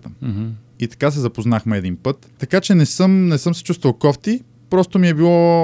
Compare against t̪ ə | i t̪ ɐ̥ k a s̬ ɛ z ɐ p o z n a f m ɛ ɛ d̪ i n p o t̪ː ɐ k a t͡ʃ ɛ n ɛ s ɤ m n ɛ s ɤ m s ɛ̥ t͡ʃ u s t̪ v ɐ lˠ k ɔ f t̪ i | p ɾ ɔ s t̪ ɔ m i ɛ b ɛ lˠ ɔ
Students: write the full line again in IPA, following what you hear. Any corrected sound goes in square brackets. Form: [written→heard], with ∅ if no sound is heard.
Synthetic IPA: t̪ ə | i t̪ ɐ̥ k a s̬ ɛ z ɐ p o z n a [f→x] m ɛ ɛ d̪ i n p [o→ɤ] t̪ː ɐ k a t͡ʃ ɛ n ɛ s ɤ m n ɛ s ɤ m s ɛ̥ t͡ʃ u s t̪ v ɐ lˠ k ɔ f t̪ i | p ɾ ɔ s t̪ [ɔ→o] m i ɛ b [ɛ→i] lˠ ɔ